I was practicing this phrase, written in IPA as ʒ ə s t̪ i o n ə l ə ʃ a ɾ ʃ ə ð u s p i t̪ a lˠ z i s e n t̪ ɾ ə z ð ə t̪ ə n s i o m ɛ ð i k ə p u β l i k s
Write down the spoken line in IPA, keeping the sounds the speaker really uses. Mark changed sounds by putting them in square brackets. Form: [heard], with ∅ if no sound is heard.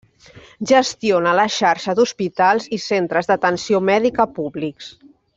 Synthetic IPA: ʒ ə s t̪ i o n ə l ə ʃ a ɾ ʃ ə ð u s p i t̪ a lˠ z i s e n t̪ ɾ ə z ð ə t̪ ə n s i o m ɛ ð i k ə p u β l i k s